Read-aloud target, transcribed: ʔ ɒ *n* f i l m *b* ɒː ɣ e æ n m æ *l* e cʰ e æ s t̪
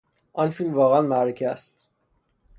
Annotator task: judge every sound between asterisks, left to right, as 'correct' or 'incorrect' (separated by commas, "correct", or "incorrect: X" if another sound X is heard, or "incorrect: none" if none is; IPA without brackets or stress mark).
correct, incorrect: v, incorrect: ɾ